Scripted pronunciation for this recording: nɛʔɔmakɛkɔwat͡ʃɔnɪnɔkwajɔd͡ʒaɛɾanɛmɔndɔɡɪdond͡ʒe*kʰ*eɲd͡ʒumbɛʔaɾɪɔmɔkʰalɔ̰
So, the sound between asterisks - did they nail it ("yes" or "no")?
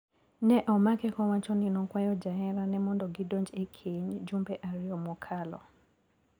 yes